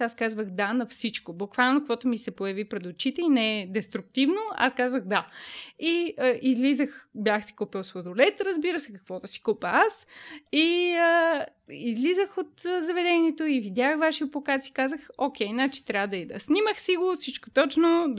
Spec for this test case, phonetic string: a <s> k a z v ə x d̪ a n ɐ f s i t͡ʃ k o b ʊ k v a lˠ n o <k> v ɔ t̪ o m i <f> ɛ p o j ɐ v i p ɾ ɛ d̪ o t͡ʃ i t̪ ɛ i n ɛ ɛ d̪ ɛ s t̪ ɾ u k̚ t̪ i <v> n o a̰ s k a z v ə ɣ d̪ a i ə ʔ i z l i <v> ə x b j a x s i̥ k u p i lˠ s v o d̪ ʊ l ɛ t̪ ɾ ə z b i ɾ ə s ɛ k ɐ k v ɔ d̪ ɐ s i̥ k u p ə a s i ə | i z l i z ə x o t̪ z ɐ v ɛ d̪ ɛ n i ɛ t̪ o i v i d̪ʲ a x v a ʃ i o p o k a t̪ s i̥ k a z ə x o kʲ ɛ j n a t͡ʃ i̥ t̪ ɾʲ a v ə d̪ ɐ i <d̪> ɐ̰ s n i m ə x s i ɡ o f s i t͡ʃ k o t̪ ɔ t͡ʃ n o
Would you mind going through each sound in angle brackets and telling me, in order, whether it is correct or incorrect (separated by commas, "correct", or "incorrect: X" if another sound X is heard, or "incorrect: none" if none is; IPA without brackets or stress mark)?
correct, correct, incorrect: s, correct, incorrect: z, correct